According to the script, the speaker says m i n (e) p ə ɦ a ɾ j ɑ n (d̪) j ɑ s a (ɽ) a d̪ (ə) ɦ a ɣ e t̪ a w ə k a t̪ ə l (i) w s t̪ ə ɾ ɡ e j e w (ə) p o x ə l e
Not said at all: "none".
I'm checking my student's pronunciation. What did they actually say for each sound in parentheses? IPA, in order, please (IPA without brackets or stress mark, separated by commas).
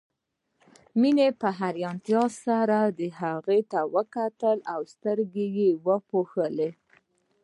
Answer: e, t̪, ɾ, ə, a, ə